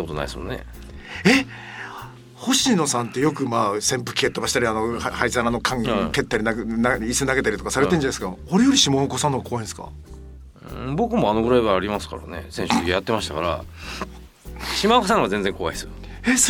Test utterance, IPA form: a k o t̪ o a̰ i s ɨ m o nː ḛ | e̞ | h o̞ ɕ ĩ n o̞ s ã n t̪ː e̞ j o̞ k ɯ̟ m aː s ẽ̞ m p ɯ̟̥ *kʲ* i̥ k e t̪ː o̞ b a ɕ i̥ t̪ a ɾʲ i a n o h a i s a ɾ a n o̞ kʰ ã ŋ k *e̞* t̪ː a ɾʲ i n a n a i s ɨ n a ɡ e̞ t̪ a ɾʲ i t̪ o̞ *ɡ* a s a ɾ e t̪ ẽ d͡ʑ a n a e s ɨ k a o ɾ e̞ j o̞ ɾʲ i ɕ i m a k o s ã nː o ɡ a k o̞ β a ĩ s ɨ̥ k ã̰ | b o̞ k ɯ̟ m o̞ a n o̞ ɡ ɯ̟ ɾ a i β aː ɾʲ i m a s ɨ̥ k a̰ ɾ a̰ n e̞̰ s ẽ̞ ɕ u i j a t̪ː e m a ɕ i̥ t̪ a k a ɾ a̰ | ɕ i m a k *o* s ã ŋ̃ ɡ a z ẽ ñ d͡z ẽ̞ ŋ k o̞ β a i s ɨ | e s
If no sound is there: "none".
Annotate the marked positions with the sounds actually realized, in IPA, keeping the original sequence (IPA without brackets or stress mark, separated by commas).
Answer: kʲ, e̞, k, o